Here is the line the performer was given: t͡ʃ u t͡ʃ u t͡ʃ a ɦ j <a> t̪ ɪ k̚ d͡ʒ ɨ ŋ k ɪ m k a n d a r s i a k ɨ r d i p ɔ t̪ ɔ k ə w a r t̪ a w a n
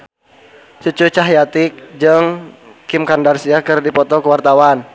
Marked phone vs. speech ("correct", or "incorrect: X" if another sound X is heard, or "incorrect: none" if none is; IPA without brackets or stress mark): correct